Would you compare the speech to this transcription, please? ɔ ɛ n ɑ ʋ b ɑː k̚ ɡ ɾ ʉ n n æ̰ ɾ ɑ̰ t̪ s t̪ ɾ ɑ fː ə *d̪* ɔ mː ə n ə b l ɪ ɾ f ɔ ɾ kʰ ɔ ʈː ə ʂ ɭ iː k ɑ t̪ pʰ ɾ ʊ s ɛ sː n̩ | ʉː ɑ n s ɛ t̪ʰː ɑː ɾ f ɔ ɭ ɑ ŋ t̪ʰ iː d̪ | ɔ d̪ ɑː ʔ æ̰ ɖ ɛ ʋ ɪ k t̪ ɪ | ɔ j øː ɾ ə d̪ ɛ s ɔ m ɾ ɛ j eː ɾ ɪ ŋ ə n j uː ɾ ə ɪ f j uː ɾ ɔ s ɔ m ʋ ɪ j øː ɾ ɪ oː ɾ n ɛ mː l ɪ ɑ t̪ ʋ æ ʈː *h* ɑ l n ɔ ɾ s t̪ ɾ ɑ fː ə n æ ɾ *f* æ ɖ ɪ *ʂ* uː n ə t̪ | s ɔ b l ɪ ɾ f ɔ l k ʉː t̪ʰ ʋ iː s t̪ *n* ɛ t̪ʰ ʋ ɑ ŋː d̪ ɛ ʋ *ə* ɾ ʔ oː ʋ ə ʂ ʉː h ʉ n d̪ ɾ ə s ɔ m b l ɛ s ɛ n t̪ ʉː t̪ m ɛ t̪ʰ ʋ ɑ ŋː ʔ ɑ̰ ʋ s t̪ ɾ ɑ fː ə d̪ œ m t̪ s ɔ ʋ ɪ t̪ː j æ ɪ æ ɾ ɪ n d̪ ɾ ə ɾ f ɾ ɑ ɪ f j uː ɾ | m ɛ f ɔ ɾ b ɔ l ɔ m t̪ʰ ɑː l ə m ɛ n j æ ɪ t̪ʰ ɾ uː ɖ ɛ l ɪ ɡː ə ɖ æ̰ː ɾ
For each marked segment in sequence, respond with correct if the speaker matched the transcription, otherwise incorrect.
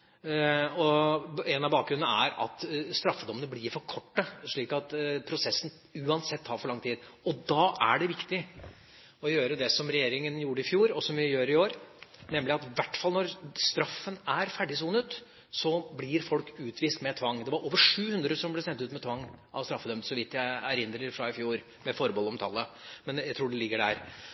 correct, incorrect, correct, incorrect, incorrect, incorrect

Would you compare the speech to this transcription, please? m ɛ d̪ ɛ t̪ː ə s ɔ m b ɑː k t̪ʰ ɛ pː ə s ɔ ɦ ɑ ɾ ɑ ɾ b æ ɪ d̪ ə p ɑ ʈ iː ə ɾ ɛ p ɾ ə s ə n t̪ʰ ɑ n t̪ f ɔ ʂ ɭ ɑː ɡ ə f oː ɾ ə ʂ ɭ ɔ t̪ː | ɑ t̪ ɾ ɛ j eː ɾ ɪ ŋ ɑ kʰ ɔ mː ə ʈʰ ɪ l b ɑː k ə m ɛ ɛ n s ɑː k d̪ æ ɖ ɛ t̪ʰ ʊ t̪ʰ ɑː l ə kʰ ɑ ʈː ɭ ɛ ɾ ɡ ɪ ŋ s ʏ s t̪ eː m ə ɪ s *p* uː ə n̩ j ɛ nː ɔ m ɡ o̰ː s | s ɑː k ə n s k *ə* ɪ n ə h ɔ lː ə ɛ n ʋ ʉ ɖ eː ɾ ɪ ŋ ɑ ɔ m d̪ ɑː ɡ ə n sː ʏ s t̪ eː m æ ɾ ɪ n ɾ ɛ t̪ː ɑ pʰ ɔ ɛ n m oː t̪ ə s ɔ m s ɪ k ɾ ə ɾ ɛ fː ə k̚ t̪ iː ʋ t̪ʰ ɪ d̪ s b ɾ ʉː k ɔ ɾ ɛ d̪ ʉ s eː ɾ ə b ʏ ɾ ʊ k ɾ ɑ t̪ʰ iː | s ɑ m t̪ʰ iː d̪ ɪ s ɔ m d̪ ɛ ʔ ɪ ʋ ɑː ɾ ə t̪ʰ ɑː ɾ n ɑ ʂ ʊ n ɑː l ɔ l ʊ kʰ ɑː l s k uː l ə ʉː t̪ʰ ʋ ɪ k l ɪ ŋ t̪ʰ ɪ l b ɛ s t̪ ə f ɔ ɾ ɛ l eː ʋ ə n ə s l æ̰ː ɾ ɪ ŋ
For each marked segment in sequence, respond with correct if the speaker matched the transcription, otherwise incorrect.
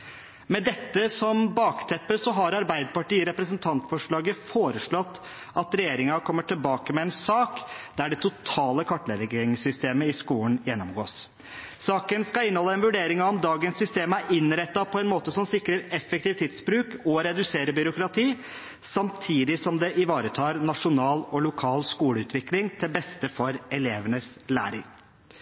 incorrect, incorrect

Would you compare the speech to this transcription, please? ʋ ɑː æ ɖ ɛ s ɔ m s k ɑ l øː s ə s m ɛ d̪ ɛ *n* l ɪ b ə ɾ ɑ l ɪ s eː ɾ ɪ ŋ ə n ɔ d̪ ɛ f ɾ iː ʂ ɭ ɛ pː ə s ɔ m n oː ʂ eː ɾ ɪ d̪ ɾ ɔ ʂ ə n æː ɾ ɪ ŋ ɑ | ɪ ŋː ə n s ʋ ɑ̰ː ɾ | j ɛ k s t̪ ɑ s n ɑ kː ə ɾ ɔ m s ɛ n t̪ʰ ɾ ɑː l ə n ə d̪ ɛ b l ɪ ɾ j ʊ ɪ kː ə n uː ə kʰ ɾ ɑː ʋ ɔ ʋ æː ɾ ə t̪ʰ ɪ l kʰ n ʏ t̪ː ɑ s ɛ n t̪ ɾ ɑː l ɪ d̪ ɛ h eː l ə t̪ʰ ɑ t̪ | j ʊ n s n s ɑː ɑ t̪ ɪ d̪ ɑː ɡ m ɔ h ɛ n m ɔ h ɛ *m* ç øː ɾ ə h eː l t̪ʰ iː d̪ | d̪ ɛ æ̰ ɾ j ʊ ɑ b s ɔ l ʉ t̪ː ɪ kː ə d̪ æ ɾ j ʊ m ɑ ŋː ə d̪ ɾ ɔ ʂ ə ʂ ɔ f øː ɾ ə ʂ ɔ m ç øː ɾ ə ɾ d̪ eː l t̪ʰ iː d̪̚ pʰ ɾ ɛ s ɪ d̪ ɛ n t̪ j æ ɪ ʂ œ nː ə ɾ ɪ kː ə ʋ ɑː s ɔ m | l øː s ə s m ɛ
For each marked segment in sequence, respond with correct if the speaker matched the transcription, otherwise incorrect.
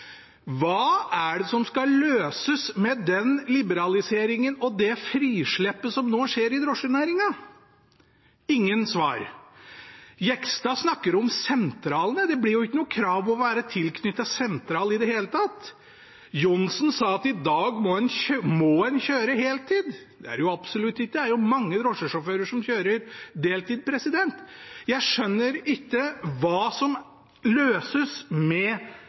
correct, incorrect

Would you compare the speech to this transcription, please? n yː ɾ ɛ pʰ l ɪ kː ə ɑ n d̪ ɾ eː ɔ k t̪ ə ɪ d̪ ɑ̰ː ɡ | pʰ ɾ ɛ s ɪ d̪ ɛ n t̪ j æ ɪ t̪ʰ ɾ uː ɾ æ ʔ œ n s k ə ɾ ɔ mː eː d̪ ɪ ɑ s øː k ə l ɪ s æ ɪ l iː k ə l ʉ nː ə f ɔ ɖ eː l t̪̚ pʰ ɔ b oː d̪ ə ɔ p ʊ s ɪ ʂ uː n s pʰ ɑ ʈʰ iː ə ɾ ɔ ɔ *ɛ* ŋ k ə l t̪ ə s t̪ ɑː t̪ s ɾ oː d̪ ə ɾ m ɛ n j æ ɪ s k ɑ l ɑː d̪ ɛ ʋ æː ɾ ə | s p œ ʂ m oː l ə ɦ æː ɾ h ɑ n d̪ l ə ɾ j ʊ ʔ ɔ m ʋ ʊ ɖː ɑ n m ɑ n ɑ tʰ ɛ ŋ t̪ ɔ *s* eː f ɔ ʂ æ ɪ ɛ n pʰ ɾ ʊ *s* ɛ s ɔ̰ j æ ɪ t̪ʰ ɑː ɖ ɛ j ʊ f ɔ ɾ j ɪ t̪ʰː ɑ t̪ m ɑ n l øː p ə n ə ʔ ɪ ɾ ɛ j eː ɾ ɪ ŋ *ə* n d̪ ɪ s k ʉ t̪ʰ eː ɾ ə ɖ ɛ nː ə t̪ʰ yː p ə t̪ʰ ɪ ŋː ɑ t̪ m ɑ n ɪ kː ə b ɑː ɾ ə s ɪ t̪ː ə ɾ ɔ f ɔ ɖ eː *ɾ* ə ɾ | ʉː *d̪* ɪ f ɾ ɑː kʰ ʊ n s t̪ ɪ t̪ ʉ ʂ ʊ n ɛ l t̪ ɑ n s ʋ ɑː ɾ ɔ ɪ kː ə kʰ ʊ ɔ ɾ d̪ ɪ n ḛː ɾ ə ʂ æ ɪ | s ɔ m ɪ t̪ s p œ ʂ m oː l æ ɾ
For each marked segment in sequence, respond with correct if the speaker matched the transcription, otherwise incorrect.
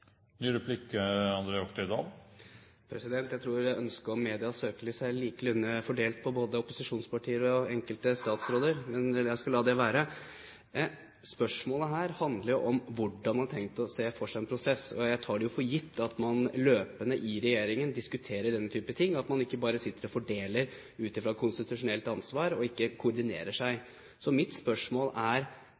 correct, correct, correct, correct, incorrect, incorrect

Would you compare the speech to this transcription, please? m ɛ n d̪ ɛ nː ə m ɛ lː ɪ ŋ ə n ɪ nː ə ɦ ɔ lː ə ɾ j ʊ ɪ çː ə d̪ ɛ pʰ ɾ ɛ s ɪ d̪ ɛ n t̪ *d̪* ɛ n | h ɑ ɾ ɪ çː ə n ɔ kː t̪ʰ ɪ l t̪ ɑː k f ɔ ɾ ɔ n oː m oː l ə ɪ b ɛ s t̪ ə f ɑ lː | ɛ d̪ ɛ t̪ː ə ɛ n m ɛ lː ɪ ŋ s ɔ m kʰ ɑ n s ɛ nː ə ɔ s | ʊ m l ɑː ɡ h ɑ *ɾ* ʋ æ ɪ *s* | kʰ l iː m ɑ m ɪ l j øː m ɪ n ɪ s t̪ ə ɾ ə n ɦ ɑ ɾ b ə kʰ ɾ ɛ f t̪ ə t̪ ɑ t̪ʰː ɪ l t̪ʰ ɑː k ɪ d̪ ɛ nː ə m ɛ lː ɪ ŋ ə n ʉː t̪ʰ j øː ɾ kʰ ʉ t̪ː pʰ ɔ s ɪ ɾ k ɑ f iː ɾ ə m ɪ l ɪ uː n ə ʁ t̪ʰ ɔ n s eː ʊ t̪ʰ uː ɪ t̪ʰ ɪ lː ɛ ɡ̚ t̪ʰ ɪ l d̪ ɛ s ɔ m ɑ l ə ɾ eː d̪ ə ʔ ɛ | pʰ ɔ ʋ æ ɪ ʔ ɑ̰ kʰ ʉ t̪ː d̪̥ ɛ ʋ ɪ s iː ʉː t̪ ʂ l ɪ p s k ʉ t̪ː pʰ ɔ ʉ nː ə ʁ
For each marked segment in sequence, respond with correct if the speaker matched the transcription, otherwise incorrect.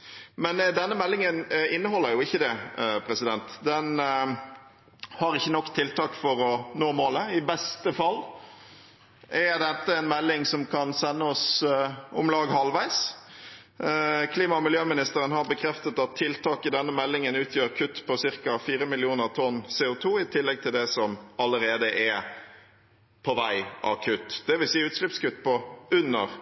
correct, incorrect, correct

